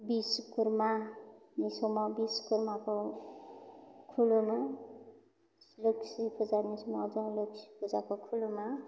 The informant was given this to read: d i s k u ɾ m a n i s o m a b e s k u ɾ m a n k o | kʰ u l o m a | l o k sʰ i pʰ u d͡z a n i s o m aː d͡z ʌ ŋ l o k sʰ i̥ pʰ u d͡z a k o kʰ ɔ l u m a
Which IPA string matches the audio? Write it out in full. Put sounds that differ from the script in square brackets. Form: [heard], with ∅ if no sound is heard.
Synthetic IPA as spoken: [b] i s k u ɾ m a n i s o m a b [i] s k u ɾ m a [∅] k o | kʰ u l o m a | l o k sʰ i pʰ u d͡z a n i s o m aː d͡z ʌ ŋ l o k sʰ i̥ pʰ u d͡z a k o kʰ [u] l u m a